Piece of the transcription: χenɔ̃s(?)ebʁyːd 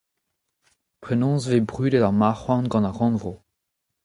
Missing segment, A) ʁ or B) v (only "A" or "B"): B